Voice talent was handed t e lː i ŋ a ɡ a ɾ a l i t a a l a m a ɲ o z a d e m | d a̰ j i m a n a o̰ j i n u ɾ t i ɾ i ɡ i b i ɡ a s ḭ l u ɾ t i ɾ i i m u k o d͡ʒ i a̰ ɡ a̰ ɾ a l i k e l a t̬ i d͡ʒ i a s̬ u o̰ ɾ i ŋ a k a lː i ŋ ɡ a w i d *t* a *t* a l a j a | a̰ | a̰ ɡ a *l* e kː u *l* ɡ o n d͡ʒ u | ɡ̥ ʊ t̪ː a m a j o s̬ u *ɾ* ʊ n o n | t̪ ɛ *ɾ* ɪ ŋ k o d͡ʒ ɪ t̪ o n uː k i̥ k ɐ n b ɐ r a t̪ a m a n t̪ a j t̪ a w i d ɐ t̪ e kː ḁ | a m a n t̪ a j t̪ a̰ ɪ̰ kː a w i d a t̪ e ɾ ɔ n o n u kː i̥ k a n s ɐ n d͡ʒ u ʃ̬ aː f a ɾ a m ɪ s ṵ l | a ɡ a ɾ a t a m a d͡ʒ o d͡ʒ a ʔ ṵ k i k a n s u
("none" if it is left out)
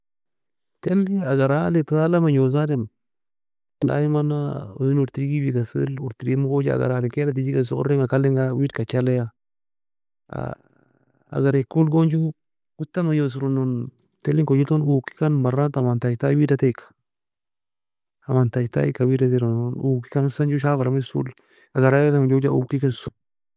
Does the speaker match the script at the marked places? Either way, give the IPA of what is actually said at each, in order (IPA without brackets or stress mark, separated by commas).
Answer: k, t͡ʃ, ɾ, l, ɾ, l